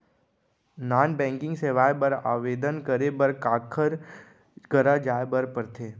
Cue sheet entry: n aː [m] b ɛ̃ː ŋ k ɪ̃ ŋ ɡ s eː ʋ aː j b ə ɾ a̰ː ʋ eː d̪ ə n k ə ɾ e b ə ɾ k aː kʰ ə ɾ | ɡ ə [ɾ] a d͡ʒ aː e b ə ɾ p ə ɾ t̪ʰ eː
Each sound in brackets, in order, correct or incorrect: incorrect: n, correct

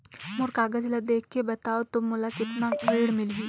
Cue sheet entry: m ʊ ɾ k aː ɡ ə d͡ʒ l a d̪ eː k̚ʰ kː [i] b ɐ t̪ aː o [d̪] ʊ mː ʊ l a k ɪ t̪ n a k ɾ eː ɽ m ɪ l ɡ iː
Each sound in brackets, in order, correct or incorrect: incorrect: e, incorrect: t̪

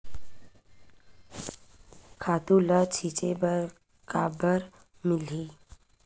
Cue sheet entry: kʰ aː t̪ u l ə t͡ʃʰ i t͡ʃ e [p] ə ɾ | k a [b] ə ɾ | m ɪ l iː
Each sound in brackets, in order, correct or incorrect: incorrect: b, correct

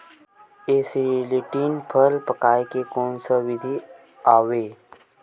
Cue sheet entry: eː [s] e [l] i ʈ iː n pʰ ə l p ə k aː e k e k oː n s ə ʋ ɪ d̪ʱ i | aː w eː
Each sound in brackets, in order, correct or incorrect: correct, correct

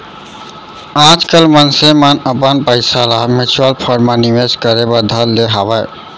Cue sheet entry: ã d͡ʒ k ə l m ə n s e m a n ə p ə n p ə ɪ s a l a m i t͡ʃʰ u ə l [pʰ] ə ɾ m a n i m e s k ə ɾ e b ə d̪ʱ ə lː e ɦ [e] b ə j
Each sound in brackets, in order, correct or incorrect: correct, incorrect: a

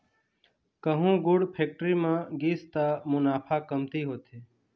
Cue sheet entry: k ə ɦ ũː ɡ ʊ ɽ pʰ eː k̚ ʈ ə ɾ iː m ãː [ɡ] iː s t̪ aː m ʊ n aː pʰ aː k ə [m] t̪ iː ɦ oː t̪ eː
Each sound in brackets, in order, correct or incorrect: correct, correct

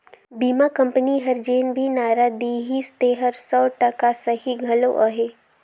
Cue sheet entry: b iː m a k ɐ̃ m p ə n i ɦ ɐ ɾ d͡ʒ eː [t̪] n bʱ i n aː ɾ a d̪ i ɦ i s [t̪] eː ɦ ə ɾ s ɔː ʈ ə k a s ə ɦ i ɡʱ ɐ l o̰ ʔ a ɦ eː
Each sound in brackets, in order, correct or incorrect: incorrect: none, correct

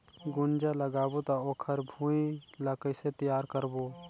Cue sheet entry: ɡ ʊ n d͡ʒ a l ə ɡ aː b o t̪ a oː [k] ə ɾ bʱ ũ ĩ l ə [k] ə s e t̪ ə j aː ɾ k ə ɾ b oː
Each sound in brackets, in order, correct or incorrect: incorrect: kʰ, correct

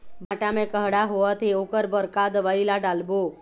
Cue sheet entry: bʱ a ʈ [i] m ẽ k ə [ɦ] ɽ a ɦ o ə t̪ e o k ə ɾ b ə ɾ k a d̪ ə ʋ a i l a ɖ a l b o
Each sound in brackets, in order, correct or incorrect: incorrect: a, correct

